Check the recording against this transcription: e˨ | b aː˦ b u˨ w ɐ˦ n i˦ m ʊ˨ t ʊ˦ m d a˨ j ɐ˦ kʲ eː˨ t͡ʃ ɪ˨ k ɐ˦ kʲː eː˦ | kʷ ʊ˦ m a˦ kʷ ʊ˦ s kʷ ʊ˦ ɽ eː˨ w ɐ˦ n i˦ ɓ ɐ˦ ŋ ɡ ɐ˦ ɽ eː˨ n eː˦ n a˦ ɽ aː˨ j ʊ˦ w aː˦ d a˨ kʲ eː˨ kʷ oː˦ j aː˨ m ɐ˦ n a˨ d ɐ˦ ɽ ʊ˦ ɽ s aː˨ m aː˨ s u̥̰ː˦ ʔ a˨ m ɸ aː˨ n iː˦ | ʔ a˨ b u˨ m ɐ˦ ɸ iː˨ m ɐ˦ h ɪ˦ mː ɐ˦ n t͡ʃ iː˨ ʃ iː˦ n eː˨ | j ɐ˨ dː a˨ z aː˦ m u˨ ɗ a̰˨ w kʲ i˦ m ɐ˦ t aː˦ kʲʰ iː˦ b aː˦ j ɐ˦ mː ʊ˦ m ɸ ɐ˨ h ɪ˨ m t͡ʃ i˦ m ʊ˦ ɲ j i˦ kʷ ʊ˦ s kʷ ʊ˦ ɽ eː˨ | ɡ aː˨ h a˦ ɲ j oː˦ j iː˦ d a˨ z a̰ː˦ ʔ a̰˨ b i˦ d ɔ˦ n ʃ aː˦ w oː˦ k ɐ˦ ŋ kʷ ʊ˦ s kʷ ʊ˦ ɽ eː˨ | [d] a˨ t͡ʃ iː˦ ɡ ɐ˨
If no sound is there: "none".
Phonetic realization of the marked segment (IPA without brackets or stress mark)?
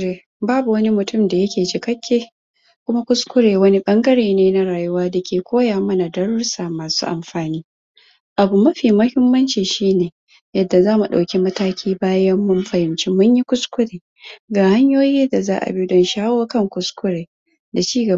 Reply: d